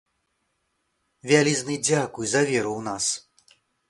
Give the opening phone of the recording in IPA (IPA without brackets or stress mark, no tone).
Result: vʲ